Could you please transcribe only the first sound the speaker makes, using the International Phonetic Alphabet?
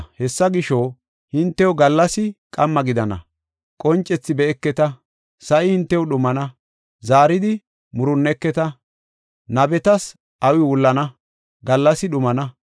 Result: h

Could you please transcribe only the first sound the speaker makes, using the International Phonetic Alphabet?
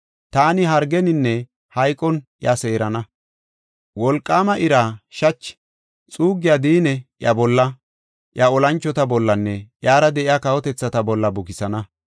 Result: t̪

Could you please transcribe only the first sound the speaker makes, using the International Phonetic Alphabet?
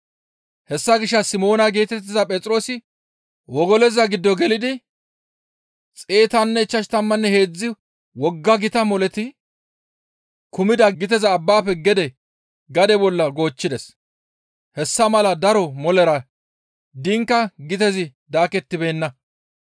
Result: h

